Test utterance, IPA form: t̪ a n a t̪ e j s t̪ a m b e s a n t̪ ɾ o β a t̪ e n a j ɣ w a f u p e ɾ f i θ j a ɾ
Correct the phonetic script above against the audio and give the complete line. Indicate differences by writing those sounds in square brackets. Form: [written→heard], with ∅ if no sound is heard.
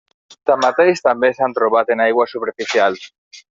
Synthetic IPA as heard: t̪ a [n→m] a t̪ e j s t̪ a m b e s a n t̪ ɾ o β a t̪ e n a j ɣ w a [f→s] u p e ɾ f i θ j a [ɾ→l]